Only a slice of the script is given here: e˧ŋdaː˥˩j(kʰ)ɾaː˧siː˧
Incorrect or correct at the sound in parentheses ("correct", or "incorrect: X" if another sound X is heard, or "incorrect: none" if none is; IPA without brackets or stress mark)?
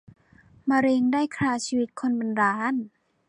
correct